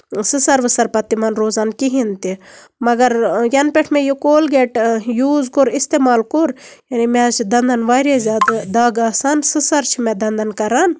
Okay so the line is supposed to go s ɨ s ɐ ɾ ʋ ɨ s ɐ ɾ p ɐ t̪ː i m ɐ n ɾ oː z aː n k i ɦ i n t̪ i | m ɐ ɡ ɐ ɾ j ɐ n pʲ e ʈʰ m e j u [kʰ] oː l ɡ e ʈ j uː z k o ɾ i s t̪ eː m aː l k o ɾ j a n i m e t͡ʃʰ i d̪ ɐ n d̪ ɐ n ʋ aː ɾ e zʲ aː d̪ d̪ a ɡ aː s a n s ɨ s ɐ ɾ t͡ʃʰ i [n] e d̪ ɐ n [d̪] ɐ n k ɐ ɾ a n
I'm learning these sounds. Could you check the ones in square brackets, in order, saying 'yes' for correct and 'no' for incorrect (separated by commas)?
no, no, yes